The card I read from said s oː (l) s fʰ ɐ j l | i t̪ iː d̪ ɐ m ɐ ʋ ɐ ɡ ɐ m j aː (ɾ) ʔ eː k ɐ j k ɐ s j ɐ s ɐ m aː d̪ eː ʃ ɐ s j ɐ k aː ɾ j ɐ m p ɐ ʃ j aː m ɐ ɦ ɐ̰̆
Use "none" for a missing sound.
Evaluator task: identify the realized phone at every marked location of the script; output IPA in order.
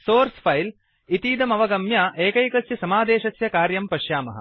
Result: ɾ, none

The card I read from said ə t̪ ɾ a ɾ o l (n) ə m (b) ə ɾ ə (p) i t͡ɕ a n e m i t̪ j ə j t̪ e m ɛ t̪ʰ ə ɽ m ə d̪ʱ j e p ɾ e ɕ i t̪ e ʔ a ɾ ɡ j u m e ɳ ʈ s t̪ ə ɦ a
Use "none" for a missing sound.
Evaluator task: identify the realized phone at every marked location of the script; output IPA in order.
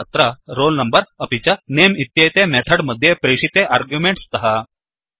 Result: n, b, p

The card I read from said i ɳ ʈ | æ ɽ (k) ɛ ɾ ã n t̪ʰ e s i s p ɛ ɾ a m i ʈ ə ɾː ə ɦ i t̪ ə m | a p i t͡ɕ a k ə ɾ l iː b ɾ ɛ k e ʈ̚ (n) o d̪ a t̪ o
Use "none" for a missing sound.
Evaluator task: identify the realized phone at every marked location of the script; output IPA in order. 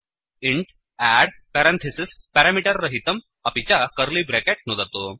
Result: p, n

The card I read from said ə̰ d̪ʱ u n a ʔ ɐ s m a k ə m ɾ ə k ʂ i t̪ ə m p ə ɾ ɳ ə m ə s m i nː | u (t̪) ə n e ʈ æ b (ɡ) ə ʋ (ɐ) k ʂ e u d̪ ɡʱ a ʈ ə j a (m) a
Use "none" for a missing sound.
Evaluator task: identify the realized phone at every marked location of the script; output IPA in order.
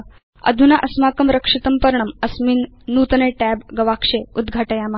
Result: t̪, ɡ, a, m

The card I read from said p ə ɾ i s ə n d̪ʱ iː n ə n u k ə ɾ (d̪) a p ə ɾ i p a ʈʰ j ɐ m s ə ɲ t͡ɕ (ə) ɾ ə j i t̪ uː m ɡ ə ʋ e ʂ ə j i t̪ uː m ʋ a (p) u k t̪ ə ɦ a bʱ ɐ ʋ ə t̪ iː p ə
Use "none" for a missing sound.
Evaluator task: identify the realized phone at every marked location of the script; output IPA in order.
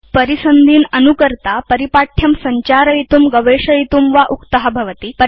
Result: t̪, a, ʔ

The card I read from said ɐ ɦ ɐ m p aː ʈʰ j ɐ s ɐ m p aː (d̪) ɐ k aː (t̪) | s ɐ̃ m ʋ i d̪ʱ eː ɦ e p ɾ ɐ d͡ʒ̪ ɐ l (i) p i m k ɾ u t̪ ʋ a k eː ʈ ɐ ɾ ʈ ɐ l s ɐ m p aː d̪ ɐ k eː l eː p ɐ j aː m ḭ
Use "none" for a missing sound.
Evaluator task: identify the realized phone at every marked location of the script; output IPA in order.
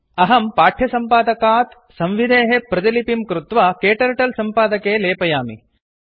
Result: d̪, t̪, i

